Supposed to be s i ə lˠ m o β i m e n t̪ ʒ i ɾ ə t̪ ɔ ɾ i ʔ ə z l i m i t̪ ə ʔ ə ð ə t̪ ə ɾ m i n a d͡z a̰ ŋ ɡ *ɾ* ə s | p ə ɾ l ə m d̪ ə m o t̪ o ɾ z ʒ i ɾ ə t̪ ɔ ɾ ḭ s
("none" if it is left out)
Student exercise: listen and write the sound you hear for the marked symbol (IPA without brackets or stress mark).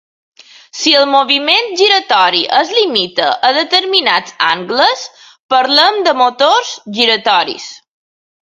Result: l